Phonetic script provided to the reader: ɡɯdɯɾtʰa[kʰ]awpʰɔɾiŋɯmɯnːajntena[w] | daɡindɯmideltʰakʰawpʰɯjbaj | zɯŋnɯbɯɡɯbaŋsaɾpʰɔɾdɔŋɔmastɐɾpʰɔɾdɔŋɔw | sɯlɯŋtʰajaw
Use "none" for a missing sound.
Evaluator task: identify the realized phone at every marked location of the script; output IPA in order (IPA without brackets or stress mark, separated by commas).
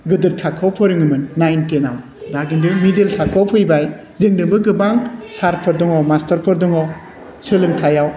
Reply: kʰ, w